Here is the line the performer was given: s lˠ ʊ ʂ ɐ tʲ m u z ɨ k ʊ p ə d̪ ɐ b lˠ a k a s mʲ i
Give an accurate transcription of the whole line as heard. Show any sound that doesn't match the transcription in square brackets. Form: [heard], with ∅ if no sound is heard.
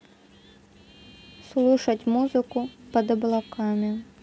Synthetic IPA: s lˠ [u] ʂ ɐ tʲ m u z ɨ k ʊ p [ɐ] d̪ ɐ b lˠ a k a [∅] mʲ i